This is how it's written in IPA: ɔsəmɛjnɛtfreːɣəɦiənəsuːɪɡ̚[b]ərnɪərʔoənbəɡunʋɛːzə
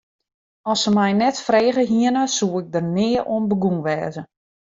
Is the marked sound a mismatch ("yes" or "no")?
yes